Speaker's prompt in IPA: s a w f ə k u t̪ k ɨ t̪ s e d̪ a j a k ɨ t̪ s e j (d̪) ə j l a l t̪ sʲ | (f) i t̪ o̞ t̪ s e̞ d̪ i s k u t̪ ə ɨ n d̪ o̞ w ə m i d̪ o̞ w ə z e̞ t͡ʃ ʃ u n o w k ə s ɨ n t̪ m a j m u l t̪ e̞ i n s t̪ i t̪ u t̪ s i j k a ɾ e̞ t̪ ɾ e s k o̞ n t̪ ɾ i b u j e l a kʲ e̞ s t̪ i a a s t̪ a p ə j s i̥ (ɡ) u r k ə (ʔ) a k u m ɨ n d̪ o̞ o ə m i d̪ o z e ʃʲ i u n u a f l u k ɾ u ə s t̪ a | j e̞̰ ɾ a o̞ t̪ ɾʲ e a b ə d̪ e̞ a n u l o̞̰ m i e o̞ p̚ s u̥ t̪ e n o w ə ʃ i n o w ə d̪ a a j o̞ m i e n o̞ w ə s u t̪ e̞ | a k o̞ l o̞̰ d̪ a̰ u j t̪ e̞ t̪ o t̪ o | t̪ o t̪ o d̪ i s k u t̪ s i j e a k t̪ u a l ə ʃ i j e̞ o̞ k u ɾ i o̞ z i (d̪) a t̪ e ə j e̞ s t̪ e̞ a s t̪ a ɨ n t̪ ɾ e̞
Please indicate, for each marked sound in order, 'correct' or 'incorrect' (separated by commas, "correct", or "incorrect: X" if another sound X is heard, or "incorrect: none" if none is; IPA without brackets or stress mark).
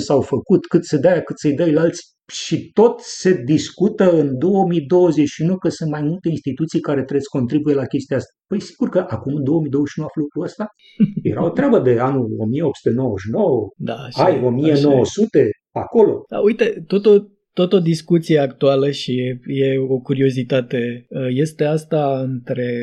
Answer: correct, incorrect: ʃ, correct, correct, incorrect: t̪